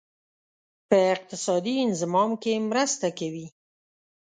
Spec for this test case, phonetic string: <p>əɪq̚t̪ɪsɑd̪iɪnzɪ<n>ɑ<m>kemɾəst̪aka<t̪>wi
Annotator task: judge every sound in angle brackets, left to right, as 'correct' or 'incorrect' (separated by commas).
correct, incorrect, correct, incorrect